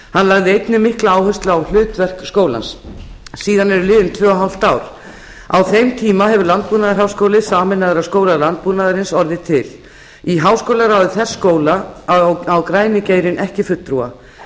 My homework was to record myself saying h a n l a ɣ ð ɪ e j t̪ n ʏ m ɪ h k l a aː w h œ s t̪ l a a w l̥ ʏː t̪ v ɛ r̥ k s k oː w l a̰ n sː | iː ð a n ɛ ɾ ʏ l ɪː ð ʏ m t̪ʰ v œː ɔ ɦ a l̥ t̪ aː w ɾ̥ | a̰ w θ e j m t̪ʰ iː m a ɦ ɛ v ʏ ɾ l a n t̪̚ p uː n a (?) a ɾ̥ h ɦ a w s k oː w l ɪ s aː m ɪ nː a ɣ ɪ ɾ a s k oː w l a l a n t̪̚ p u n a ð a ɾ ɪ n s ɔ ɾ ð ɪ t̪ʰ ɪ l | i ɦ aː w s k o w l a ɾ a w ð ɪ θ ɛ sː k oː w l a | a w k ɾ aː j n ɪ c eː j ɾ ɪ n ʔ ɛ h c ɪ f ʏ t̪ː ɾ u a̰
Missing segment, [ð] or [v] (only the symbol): ð